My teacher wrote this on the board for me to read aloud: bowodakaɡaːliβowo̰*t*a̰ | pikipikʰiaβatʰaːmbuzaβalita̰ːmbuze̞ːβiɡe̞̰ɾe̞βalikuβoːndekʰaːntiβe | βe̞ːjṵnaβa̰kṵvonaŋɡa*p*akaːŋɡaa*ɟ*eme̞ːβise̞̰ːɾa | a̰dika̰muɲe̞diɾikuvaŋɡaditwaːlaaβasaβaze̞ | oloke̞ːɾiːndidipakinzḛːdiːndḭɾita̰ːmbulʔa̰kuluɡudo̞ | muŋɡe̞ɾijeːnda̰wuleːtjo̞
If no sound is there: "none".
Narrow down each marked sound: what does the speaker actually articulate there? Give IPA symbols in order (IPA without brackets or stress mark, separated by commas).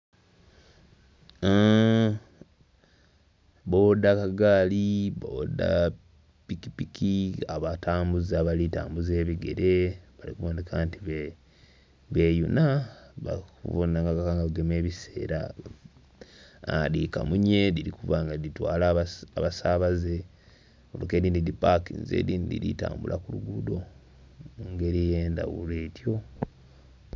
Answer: d, k, ɡ